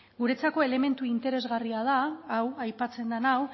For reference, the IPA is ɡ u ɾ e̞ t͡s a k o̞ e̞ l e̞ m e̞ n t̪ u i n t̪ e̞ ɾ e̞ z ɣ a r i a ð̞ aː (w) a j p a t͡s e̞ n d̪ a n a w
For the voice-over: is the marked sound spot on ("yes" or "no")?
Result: yes